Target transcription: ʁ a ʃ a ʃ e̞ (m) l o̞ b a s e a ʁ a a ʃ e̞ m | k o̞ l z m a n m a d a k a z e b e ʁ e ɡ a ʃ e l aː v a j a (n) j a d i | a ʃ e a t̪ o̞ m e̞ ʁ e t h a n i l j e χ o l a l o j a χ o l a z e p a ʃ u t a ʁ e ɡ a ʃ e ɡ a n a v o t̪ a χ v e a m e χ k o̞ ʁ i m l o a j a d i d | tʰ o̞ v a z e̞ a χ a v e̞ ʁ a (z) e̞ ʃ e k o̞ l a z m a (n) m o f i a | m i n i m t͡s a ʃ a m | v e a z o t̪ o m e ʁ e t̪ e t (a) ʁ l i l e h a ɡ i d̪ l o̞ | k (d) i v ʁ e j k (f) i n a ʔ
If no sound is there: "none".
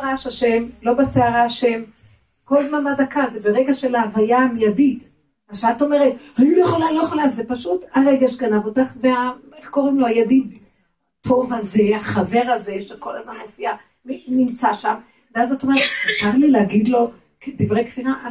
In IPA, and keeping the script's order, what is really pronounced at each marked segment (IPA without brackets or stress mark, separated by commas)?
m, m, z, n, a, d, f